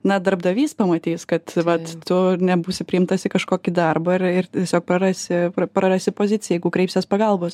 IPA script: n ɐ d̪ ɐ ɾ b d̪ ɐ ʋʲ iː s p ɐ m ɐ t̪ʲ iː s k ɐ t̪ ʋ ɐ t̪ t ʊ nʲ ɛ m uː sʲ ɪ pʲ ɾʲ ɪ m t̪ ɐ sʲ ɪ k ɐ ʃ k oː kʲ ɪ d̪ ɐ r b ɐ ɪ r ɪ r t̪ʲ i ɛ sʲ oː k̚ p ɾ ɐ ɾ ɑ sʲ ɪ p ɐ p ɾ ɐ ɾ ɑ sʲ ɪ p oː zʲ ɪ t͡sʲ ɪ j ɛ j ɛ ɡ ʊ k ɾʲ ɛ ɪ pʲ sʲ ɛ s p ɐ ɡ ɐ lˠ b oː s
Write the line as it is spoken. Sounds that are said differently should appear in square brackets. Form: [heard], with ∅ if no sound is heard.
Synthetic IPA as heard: n ɐ d̪ ɐ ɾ b d̪ ɐ ʋʲ iː s p ɐ m ɐ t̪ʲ iː s k ɐ t̪ ʋ ɐ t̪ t ʊ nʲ ɛ [b] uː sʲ ɪ pʲ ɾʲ ɪ m t̪ ɐ sʲ ɪ k ɐ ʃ k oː kʲ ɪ d̪ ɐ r b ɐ ɪ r ɪ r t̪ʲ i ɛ sʲ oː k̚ p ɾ ɐ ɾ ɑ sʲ ɪ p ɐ p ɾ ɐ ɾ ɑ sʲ ɪ p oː zʲ ɪ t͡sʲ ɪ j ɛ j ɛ ɡ ʊ k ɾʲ ɛ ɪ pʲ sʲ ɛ s p ɐ ɡ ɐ lˠ b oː s